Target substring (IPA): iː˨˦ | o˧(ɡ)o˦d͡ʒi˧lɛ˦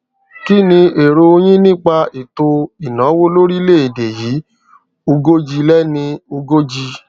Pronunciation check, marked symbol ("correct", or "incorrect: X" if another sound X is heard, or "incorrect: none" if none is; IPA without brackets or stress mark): correct